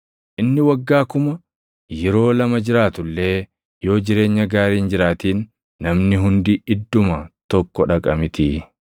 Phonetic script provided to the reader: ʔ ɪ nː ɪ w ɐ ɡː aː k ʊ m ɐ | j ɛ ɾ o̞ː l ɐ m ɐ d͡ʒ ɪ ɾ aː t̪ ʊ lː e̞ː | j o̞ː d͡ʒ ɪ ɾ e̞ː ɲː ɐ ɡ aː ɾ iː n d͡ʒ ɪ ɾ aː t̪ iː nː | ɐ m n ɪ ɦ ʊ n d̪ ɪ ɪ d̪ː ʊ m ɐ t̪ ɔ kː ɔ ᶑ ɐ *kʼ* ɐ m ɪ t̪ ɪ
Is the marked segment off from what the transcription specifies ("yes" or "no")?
no